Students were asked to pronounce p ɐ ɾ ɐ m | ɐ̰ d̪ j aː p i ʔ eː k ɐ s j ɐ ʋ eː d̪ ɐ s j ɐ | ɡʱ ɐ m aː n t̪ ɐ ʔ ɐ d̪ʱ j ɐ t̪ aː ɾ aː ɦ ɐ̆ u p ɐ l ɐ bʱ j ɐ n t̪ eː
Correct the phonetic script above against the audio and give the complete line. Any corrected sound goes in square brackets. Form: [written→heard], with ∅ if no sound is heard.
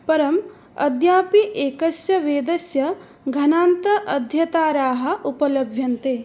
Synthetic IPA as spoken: p ɐ ɾ ɐ m | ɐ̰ d̪ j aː p i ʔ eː k ɐ s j ɐ ʋ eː d̪ ɐ s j ɐ | ɡʱ ɐ [m→n] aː n t̪ ɐ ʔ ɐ d̪ʱ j ɐ t̪ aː ɾ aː ɦ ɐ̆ u p ɐ l ɐ bʱ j ɐ n t̪ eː